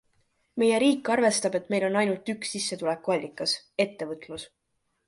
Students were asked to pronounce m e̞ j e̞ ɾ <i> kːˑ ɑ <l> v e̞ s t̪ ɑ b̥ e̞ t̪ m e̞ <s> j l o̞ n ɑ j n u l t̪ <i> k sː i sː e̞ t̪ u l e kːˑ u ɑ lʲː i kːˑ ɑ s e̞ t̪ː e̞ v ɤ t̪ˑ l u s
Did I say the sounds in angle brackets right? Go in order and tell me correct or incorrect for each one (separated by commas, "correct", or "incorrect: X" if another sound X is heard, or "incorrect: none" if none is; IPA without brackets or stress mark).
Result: incorrect: iː, incorrect: r, incorrect: none, incorrect: y